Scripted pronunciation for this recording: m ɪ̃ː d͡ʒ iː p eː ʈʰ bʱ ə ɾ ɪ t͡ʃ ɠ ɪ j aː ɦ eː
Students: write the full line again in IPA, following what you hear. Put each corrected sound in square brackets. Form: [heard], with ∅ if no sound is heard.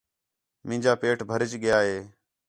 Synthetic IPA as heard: m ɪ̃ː d͡ʒ [aː] p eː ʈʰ bʱ ə ɾ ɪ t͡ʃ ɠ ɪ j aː ɦ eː

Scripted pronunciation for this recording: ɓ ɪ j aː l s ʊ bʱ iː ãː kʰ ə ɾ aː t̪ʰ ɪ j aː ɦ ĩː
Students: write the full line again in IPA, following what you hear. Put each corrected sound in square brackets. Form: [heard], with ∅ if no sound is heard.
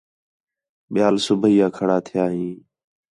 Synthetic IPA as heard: ɓ ɪ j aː l s ʊ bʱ iː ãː kʰ ə [ɽ] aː t̪ʰ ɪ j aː ɦ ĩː

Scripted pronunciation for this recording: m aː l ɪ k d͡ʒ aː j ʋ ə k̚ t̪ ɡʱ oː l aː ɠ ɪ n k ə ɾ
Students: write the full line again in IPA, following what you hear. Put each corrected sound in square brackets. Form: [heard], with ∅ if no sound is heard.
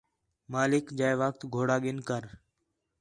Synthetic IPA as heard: m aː l ɪ k d͡ʒ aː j ʋ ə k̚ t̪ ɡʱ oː [ɽ] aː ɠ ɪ n k ə ɾ

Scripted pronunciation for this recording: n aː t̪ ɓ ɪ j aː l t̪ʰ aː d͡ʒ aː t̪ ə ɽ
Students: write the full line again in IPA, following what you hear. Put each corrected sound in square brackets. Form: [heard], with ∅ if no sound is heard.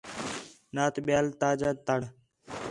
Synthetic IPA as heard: n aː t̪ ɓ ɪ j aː l [t̪] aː d͡ʒ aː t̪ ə ɽ

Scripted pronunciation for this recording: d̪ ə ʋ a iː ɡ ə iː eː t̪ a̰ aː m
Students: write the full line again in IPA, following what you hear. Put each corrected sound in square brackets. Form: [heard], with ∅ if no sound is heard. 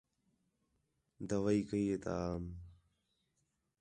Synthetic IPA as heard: d̪ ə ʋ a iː [k] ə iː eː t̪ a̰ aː m

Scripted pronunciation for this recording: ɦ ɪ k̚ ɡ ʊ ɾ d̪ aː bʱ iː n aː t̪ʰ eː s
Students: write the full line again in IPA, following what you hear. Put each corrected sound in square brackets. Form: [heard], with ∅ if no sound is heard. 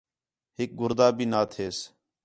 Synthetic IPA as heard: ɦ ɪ k̚ ɡ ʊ ɾ d̪ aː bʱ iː n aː t̪ʰ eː s

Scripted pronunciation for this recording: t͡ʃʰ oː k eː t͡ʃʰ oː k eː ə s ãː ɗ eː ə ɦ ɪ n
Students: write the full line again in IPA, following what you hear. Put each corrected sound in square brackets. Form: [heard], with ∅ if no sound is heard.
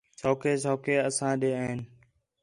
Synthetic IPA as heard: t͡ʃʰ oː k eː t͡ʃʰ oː k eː ə s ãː ɗ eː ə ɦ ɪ n

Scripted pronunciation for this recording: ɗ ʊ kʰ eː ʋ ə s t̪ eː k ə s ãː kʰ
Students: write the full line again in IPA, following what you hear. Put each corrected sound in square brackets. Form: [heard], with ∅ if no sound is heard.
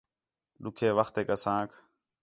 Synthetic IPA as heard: ɗ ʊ kʰ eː ʋ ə [x] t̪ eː k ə s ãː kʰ

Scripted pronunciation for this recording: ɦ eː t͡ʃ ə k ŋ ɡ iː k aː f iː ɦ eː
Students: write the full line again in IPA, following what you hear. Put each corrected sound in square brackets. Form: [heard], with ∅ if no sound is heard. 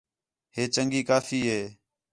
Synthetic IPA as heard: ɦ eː t͡ʃ ə [∅] ŋ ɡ iː k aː f iː ɦ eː

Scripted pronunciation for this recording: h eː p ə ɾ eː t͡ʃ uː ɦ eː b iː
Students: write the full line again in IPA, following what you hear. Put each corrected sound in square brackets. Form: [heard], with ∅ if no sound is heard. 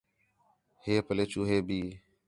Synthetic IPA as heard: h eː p ə [l] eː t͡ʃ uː ɦ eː b iː

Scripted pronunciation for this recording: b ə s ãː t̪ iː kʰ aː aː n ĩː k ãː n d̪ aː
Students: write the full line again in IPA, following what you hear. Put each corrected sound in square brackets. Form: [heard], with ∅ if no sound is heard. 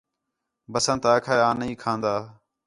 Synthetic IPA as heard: b ə s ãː t̪ [aː] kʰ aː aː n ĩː [kʰ] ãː n d̪ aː

